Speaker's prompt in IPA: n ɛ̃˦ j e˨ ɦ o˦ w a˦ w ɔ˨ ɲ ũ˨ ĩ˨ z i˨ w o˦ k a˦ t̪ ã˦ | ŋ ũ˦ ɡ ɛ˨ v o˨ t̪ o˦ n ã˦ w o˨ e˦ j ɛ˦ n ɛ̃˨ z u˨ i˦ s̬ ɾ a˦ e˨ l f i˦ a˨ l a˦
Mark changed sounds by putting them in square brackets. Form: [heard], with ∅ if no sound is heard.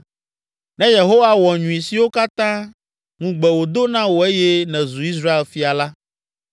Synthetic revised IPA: n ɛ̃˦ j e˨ ɦ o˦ w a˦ w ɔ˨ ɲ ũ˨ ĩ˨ [s] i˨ w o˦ k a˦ t̪ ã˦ | ŋ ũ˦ [ɡ͡b] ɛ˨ [w] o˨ [d̪] o˦ n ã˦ w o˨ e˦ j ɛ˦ n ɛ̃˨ z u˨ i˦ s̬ ɾ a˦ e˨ l f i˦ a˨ l a˦